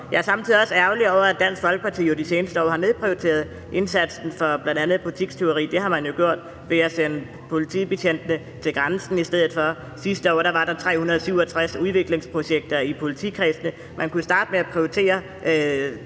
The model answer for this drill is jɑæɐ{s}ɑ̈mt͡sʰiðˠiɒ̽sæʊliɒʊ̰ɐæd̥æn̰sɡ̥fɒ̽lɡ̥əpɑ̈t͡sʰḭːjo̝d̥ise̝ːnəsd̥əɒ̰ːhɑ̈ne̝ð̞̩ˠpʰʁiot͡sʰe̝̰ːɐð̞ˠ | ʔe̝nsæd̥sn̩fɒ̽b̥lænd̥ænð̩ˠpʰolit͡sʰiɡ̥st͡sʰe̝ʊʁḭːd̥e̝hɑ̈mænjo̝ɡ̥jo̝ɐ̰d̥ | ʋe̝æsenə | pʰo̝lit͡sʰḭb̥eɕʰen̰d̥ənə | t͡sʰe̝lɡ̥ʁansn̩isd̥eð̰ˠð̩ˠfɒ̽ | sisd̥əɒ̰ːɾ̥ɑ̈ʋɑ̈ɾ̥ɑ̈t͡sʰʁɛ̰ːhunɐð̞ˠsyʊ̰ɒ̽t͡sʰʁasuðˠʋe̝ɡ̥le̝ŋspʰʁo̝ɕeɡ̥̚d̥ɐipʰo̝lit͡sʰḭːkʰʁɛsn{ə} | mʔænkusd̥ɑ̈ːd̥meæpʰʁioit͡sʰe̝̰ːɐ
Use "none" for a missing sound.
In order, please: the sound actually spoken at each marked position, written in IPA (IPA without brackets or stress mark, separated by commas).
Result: s, ə